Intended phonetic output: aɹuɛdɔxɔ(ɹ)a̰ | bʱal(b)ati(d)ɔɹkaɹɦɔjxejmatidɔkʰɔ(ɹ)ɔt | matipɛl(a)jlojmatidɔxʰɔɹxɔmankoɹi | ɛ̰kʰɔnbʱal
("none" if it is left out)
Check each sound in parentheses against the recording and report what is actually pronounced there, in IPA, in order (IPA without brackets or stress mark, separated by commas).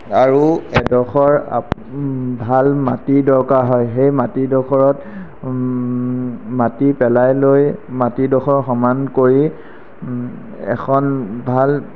ɹ, m, d, ɹ, a